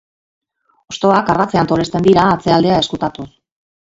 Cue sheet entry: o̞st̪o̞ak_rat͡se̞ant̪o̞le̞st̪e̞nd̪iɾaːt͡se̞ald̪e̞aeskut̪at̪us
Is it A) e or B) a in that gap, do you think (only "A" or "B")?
B